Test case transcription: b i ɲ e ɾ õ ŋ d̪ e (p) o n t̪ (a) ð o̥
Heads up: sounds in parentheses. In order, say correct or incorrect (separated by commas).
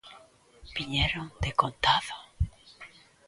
incorrect, correct